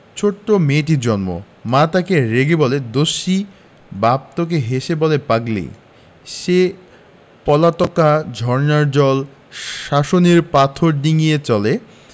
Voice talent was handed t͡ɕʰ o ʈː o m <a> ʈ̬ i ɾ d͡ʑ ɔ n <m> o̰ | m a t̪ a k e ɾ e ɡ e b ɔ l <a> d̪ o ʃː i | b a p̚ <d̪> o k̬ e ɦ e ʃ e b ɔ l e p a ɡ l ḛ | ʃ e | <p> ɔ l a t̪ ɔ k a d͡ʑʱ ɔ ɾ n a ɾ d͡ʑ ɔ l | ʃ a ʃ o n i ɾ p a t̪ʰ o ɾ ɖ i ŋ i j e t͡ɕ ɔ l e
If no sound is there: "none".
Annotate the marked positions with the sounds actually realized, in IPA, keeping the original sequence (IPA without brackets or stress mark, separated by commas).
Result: e, m, e, t̪, p